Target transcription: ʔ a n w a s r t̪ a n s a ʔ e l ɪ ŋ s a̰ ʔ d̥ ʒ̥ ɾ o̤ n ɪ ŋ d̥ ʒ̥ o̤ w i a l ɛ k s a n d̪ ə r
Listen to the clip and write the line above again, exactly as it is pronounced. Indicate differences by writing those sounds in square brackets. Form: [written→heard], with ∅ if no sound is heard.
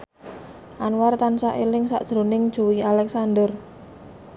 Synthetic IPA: ʔ a n w a [s→∅] r t̪ a n s a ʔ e l ɪ ŋ s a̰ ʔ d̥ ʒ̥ ɾ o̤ n ɪ ŋ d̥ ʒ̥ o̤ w i a l ɛ k s a n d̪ ə r